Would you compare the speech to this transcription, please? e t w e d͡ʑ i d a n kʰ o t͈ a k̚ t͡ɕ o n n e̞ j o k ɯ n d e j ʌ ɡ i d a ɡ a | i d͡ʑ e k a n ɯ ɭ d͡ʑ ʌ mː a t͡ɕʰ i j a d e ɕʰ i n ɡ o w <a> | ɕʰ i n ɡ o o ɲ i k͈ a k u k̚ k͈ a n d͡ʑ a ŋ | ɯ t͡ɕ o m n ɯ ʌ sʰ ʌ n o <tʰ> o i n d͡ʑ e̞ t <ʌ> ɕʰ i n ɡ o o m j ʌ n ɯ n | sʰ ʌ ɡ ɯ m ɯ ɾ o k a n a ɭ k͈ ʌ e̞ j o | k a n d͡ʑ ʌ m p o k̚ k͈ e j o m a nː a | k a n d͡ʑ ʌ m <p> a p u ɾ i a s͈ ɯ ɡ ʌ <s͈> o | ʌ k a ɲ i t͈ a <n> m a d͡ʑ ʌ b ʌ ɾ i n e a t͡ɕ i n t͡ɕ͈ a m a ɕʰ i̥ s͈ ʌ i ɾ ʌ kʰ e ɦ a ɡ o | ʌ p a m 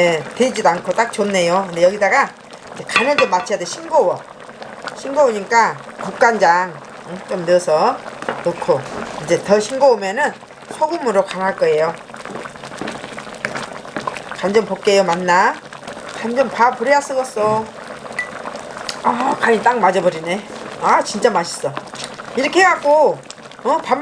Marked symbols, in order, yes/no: no, no, yes, yes, yes, no

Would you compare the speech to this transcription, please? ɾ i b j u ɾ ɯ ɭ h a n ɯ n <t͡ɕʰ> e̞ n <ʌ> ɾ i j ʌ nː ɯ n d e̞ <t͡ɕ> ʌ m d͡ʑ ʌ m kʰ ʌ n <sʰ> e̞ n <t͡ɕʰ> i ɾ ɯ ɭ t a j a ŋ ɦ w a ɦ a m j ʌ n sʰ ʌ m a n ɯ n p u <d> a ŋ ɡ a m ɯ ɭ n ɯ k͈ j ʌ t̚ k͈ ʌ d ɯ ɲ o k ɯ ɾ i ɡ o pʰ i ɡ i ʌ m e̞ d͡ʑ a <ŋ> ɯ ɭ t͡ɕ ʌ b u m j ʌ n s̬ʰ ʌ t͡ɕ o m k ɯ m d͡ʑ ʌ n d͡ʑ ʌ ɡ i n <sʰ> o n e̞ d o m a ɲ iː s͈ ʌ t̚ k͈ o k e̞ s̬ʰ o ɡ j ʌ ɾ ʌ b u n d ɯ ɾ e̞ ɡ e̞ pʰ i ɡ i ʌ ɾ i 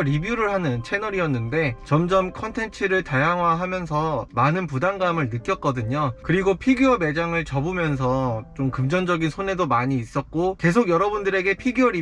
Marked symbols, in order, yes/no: yes, yes, yes, no, yes, yes, yes, yes

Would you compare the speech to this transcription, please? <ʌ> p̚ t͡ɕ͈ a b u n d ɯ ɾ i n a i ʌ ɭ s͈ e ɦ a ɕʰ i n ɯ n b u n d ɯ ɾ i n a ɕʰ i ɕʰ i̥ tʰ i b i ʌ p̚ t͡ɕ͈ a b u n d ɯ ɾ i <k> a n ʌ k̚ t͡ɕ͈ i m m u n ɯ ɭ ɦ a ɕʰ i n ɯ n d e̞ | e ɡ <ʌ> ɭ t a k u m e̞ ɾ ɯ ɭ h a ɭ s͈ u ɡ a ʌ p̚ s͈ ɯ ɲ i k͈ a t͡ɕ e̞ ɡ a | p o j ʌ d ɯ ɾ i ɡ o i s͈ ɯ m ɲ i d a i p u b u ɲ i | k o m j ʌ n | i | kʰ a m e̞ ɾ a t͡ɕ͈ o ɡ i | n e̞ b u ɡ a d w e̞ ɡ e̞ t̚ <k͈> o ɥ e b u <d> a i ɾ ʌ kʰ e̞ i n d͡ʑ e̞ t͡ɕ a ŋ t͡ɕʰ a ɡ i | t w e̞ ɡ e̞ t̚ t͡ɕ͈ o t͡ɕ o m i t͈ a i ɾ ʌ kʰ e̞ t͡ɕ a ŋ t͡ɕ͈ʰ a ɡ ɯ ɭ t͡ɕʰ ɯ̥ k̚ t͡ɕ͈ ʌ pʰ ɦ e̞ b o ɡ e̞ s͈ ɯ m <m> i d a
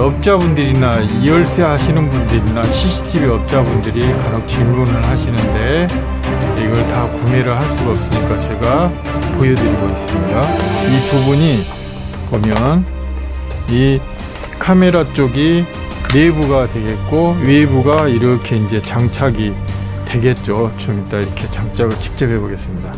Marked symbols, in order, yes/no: yes, yes, yes, yes, no, no

